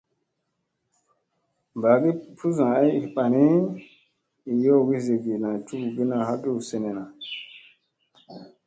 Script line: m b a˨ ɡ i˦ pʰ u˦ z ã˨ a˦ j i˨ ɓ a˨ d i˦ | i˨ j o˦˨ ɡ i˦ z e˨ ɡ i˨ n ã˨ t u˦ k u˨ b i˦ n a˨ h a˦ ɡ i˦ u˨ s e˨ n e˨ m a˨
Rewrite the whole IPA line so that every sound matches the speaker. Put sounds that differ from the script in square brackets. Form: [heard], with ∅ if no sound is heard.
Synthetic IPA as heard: m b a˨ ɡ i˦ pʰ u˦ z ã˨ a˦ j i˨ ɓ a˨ [n] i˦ | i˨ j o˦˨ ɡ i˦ z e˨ ɡ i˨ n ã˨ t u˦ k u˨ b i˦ n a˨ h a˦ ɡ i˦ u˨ s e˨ n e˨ [n] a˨